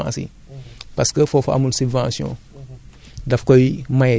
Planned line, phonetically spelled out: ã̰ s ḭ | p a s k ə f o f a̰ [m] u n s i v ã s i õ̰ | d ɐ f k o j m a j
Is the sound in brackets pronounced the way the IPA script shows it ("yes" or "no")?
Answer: yes